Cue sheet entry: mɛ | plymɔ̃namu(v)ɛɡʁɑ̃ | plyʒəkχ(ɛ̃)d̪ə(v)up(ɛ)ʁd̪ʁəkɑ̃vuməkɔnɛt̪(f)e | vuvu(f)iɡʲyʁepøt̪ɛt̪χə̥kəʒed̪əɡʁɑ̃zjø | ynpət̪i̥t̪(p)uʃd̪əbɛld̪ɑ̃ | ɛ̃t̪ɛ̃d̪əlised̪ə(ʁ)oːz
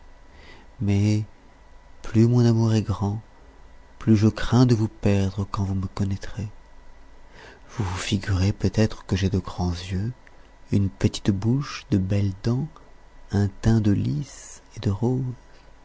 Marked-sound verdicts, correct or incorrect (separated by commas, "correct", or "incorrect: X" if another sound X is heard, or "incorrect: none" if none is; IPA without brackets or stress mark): incorrect: ʁ, correct, correct, correct, incorrect: χ, correct, incorrect: b, correct